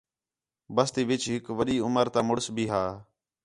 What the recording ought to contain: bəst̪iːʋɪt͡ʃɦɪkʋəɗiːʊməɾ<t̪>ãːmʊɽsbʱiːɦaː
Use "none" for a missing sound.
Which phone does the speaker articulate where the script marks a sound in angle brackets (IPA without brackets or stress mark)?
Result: t̪